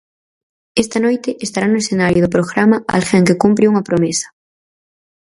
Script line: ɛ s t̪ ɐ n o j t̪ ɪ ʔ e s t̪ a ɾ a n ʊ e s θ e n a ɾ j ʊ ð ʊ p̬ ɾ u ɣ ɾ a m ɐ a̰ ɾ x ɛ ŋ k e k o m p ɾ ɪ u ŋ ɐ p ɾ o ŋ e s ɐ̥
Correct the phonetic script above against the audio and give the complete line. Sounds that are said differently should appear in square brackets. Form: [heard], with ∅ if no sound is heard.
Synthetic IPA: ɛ s t̪ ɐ n o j t̪ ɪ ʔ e s t̪ a ɾ a n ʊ e s θ e n a ɾ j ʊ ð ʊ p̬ ɾ [o] ɣ ɾ a m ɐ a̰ [l] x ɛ ŋ k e k [u] m p ɾ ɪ u ŋ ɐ p ɾ o [m] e s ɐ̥